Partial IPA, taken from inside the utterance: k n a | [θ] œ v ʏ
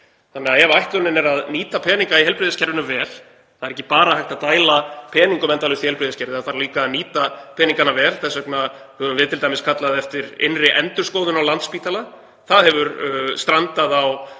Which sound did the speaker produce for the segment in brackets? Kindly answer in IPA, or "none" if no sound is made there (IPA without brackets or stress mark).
h